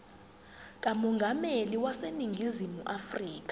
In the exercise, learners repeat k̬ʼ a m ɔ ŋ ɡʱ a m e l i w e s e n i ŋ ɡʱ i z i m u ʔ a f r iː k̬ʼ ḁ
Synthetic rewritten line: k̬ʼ a m ɔ ŋ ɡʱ a m e l i w a s e n i ŋ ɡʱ i z i m u ʔ a f r iː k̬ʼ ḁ